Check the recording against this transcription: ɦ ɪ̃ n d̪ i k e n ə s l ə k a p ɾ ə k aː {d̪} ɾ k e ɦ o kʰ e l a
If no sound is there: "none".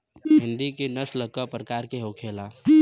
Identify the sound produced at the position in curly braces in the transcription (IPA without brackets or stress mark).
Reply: none